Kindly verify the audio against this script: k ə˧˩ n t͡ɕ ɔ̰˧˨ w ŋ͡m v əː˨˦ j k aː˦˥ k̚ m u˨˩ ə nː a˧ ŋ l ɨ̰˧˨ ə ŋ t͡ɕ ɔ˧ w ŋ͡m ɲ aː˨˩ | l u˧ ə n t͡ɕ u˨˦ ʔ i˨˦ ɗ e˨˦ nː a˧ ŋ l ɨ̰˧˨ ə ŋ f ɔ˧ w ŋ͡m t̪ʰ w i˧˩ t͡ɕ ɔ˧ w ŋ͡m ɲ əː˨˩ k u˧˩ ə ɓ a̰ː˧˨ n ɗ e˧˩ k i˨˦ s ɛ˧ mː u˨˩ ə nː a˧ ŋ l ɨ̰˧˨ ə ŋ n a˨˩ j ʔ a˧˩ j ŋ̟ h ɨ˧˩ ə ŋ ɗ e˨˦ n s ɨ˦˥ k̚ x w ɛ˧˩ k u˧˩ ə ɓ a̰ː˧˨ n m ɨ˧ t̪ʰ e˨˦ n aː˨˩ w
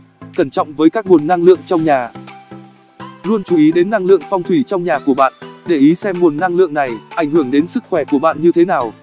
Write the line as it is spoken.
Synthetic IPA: k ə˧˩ n t͡ɕ ɔ̰˧˨ w ŋ͡m v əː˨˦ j k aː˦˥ k̚ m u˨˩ ə nː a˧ ŋ l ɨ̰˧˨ ə ŋ t͡ɕ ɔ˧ w ŋ͡m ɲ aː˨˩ | l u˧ ə n t͡ɕ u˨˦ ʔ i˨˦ ɗ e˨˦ nː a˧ ŋ l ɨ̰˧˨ ə ŋ f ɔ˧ w ŋ͡m t̪ʰ w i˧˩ t͡ɕ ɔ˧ w ŋ͡m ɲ aː˨˩ k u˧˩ ə ɓ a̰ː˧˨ n ɗ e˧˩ ʔ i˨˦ s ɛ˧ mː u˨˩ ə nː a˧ ŋ l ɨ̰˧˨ ə ŋ n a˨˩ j ʔ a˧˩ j ŋ̟ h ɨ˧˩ ə ŋ ɗ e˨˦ n s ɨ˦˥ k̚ x w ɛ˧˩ k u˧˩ ə ɓ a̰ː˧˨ n ɲ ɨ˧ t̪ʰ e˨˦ n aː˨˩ w